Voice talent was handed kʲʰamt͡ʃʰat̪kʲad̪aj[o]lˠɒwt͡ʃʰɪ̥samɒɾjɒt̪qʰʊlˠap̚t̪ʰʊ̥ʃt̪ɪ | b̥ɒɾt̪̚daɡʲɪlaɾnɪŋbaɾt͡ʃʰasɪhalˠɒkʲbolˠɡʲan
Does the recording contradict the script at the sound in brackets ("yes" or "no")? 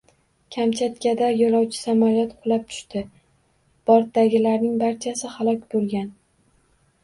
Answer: yes